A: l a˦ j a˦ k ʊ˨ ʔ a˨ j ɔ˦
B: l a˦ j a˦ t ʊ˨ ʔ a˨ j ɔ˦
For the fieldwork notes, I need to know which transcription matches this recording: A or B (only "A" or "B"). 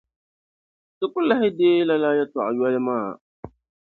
B